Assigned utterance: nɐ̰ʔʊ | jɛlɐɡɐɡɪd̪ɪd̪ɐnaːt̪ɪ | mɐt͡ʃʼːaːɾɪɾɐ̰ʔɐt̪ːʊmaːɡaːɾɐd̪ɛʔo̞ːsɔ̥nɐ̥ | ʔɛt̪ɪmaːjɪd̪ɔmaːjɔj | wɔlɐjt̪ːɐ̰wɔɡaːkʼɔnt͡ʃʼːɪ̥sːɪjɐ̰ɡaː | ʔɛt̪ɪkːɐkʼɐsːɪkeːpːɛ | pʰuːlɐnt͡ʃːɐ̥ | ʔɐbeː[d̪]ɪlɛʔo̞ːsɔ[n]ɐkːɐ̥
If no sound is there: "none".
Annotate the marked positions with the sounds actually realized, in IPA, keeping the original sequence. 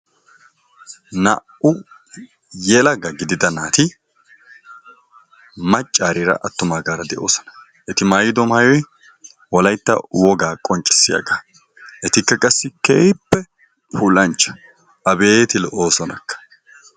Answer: t̪, n

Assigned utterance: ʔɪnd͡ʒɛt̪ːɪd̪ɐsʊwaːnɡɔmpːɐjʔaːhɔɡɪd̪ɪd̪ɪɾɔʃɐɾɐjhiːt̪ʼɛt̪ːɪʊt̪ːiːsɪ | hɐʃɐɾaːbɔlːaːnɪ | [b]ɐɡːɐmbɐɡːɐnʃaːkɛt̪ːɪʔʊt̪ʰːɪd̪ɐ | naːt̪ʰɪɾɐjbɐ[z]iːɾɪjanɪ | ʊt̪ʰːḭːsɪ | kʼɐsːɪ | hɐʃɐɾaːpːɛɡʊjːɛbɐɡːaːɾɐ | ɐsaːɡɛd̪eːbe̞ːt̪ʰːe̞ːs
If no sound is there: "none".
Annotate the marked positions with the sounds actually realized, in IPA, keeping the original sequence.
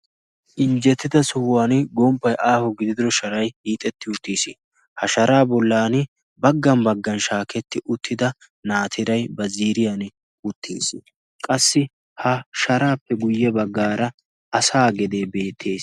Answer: b, z

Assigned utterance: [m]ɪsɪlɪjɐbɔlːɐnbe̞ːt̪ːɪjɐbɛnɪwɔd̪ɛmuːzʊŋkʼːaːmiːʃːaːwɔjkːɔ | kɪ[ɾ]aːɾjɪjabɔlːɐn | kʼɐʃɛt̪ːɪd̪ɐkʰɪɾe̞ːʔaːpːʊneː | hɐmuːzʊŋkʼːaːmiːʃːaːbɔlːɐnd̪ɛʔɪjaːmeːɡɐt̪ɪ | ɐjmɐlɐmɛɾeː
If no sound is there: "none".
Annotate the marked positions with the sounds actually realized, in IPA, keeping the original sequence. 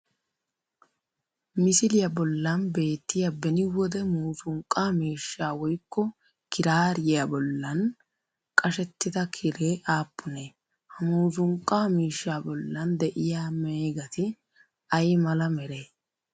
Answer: m, ɾ

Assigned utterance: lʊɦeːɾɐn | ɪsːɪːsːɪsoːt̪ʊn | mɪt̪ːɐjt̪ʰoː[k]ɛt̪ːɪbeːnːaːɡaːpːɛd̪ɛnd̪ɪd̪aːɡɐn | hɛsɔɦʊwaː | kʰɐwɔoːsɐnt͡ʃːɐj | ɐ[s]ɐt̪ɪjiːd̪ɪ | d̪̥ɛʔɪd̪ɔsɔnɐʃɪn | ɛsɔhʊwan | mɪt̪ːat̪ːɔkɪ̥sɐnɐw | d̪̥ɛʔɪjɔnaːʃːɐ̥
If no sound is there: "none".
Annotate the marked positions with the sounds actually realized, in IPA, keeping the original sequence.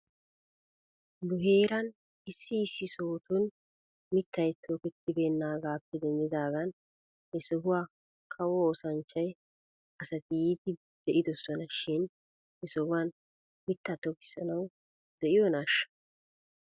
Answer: k, s

